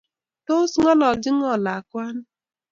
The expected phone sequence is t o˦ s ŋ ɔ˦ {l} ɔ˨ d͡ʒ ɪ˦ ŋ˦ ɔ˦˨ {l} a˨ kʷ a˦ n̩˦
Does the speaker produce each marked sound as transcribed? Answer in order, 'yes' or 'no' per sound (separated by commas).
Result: yes, yes